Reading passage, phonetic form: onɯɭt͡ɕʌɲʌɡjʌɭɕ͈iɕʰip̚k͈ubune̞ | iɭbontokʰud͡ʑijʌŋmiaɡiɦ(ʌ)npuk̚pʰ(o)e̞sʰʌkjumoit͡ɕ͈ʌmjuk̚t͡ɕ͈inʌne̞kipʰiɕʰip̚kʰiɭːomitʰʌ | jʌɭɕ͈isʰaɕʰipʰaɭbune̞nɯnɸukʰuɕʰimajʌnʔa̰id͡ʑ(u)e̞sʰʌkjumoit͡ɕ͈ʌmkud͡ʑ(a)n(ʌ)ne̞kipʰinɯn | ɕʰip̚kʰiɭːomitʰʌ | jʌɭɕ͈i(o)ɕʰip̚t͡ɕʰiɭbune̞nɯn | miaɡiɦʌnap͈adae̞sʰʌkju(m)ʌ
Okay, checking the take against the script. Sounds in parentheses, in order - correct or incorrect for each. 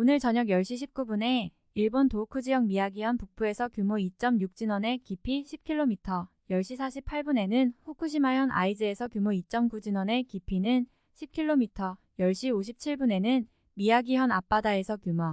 correct, incorrect: u, incorrect: ɯ, incorrect: i, correct, correct, correct

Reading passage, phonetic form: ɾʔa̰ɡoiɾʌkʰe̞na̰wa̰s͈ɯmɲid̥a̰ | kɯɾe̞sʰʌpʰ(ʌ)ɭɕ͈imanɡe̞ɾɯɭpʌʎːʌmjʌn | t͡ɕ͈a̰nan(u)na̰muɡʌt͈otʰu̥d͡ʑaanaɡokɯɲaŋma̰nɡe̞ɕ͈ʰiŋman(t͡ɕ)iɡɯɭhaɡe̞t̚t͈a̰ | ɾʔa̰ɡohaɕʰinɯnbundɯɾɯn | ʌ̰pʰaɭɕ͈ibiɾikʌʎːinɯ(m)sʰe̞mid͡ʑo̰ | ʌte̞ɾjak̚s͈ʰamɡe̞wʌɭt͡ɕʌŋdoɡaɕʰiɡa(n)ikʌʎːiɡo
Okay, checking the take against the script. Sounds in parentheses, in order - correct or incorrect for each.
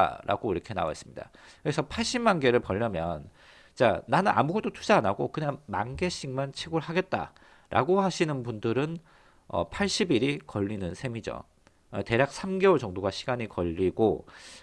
incorrect: a, incorrect: ɯ, incorrect: t͡ɕʰ, incorrect: n, incorrect: ɲ

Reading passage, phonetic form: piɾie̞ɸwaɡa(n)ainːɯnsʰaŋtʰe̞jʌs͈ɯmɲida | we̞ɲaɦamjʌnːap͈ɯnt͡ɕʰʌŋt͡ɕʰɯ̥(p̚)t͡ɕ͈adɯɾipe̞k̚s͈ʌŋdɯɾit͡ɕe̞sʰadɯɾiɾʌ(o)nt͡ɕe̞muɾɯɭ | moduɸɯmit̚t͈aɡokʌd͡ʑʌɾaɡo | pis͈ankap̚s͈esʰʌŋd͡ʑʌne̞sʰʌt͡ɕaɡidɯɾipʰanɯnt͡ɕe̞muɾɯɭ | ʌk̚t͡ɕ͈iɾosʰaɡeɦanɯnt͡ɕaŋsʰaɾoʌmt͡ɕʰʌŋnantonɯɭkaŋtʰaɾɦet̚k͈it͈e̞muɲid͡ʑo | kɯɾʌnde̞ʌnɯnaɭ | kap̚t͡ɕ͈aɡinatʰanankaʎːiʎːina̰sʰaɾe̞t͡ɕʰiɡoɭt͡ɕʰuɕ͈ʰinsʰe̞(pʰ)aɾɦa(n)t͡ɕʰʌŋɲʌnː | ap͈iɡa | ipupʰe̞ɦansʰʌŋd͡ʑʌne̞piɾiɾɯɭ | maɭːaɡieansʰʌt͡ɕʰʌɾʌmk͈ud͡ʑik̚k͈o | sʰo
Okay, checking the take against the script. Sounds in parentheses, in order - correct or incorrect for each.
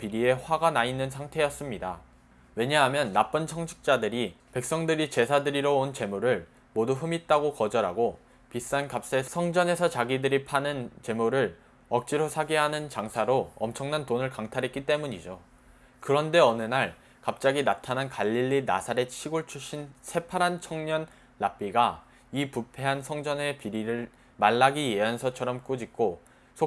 correct, incorrect: k̚, correct, correct, correct

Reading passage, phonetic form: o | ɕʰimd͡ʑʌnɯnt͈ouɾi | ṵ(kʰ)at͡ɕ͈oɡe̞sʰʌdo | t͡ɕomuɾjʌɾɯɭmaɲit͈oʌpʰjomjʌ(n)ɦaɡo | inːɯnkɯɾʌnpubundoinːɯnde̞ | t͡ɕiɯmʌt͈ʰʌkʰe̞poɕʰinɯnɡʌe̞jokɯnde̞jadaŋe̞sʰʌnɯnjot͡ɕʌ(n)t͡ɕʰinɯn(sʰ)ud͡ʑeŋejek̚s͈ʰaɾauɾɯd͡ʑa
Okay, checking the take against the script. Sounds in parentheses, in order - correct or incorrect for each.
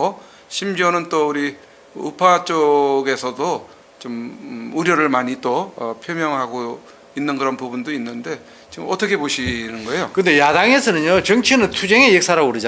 incorrect: pʰ, incorrect: ŋ, incorrect: ŋ, incorrect: tʰ

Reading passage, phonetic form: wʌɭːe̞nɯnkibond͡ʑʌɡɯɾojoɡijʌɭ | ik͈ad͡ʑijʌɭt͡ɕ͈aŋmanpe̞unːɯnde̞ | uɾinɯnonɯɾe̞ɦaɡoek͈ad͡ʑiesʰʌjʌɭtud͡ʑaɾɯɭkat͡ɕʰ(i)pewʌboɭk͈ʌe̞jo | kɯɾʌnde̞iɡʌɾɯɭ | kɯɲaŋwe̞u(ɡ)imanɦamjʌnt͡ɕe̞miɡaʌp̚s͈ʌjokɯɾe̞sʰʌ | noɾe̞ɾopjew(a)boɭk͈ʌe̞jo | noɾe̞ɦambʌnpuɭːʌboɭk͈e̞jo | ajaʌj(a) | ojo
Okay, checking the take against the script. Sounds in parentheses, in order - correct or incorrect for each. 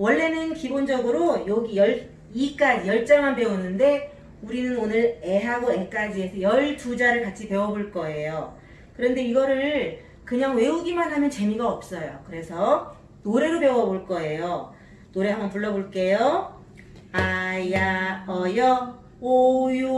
correct, correct, incorrect: ʌ, incorrect: ʌ

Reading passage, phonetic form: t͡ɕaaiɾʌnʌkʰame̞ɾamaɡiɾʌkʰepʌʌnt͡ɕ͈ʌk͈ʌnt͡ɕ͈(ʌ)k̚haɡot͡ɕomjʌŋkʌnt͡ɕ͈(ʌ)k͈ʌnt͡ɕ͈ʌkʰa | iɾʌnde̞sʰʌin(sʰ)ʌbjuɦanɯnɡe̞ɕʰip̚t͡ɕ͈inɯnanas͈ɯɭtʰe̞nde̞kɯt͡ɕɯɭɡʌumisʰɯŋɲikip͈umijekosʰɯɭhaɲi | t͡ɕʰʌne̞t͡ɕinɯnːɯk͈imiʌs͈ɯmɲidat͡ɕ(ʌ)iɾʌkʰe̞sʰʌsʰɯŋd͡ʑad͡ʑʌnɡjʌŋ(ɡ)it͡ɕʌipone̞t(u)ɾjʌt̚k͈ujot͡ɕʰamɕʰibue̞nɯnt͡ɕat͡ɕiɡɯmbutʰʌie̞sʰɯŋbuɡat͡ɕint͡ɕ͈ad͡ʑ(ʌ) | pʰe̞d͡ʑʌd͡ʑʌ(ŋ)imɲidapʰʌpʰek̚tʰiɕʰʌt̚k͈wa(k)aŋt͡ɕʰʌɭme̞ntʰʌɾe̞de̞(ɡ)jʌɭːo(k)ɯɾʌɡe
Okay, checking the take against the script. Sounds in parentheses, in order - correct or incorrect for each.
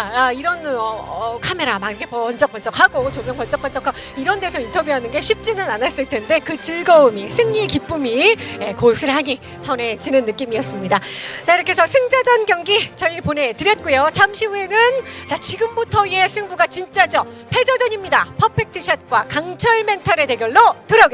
correct, correct, incorrect: tʰ, incorrect: a, correct, incorrect: ɯ, correct, incorrect: ɲ, correct, correct, incorrect: t

